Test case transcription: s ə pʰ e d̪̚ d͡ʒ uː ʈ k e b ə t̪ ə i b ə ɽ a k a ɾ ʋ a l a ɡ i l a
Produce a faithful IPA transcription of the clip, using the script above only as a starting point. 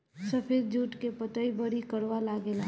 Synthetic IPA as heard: s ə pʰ e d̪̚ d͡ʒ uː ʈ k e p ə t̪ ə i b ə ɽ i k ə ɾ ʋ a l a ɡ e l a